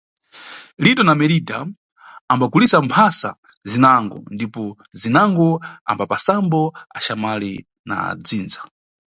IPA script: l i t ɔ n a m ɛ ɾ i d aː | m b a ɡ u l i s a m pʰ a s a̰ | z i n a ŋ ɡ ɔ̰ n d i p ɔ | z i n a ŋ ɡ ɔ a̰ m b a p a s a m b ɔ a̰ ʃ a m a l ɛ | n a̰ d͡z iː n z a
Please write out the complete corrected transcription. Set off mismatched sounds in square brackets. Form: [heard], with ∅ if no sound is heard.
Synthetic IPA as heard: l i t ɔ n a m ɛ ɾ i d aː | m b a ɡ u l i s a m pʰ a s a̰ | z i n a ŋ ɡ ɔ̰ n d i p ɔ | z i n a ŋ ɡ ɔ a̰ m b a p a s a m b ɔ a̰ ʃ a m a l [i] | n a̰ d͡z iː n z a